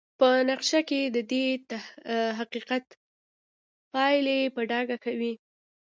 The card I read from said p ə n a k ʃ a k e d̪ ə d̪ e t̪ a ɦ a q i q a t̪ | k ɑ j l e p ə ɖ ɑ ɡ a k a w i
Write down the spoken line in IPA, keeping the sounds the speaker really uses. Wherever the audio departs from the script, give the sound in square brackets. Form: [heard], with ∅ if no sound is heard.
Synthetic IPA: p ə n a [q] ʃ a k e d̪ ə d̪ e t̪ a ɦ a q i q a t̪ | [p] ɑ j l e p ə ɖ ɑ ɡ a k a w i